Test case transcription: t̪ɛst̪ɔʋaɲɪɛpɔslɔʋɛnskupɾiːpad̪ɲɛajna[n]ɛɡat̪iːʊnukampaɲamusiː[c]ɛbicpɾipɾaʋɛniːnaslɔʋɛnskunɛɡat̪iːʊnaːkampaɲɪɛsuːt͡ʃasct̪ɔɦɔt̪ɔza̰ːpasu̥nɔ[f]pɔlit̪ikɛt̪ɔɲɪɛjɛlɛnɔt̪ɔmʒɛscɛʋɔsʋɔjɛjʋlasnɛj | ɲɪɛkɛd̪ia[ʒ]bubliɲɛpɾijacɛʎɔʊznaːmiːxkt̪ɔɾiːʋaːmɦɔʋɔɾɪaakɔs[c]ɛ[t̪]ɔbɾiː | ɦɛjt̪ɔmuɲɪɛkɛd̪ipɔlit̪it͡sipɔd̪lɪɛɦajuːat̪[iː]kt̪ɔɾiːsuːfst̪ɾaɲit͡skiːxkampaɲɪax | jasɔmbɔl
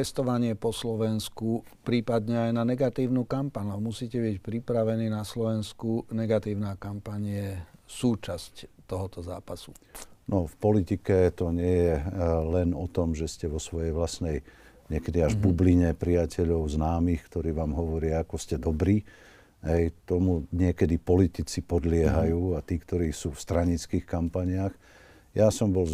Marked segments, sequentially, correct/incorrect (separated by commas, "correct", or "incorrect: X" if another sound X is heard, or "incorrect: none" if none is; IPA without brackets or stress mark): correct, correct, correct, correct, correct, incorrect: d̪, correct